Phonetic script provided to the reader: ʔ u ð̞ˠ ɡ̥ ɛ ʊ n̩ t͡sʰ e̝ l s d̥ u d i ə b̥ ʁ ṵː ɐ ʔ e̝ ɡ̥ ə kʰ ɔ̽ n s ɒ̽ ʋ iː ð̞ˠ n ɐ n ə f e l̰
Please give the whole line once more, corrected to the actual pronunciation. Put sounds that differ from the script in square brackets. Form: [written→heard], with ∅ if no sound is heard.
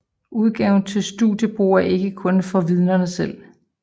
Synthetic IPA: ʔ u ð̞ˠ ɡ̥ ɛ ʊ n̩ t͡sʰ e̝ l s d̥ u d [i→j] ə b̥ ʁ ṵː ɐ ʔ e̝ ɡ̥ ə kʰ ɔ̽ n [s→f] ɒ̽ ʋ [iː→i] ð̞ˠ n ɐ n ə [f→s] e l̰